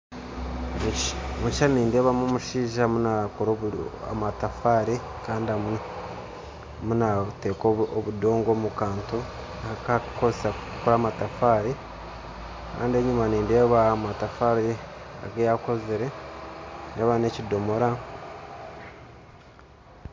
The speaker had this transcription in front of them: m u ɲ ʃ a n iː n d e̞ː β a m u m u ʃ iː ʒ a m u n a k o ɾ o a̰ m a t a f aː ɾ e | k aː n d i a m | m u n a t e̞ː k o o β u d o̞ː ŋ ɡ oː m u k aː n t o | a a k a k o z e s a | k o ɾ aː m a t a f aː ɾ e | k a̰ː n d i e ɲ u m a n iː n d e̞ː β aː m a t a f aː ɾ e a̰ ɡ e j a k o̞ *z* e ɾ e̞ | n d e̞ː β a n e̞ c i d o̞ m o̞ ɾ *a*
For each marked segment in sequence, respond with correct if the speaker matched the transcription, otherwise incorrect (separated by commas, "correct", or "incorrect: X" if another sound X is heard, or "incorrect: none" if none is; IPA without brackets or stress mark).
correct, correct